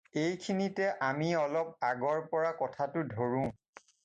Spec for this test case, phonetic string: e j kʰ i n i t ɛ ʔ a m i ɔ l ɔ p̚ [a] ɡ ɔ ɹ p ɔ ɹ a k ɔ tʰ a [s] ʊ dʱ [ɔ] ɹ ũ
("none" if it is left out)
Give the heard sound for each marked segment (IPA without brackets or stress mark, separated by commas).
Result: a, t, o